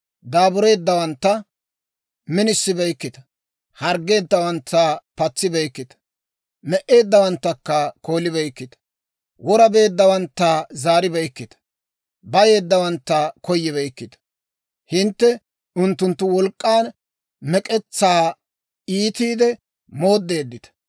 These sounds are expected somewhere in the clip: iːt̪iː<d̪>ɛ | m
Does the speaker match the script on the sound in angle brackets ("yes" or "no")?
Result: yes